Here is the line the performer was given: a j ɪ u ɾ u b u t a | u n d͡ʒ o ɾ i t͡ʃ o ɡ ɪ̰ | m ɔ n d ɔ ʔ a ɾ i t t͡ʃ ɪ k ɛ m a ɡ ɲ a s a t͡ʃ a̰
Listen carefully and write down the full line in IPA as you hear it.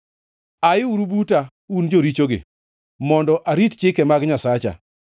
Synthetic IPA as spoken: a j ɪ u ɾ u b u t a | u n d͡ʒ o ɾ i t͡ʃ o ɡ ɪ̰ | m ɔ n d ɔ ʔ a ɾ i t t͡ʃ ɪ k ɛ m a ɡ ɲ a s a t͡ʃ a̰